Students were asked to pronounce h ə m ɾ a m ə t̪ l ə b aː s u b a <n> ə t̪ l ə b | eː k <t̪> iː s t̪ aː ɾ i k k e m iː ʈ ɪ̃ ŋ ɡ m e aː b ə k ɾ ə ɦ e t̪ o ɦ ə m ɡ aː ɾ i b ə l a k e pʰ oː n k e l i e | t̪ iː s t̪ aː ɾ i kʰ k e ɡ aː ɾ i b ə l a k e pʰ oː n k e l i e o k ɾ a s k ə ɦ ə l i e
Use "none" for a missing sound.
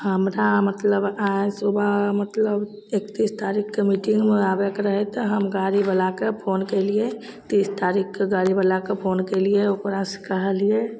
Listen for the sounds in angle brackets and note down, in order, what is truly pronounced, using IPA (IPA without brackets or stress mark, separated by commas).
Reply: m, t̪